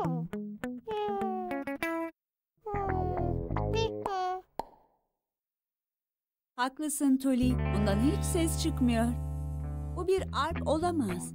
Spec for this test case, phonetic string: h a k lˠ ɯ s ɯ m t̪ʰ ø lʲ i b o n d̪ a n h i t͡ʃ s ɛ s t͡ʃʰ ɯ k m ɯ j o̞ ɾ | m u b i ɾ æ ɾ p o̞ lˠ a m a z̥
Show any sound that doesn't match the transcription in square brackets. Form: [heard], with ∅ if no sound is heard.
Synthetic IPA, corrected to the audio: h a k lˠ ɯ s ɯ [n] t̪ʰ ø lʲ i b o n d̪ a n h i t͡ʃ s ɛ s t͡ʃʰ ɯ k m ɯ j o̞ ɾ | [b] u b i ɾ [a] ɾ p o̞ lˠ a m a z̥